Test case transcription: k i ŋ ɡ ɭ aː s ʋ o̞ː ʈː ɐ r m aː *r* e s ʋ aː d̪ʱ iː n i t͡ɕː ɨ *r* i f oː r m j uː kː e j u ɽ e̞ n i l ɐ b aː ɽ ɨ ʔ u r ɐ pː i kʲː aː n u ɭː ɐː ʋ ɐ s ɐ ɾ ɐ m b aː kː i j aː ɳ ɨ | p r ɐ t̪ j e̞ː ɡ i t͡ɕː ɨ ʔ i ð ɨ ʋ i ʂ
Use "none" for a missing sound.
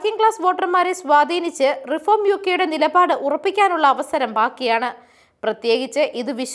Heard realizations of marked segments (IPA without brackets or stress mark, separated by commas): ɾ, r